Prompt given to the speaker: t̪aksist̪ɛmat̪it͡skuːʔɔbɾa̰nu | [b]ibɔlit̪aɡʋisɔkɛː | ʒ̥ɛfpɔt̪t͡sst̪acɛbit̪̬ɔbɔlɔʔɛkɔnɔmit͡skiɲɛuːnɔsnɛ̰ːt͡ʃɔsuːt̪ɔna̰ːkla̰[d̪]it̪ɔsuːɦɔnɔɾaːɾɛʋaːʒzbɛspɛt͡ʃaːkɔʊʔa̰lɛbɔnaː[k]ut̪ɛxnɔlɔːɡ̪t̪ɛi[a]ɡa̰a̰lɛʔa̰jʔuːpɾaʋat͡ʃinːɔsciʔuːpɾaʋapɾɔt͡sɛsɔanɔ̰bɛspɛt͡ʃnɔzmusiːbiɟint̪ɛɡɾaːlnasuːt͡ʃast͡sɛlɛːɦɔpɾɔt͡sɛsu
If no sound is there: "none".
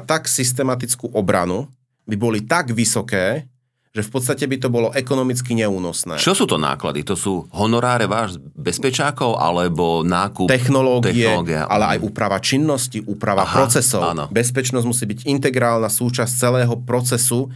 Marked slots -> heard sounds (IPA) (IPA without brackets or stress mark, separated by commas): b, d̪, k, ɛ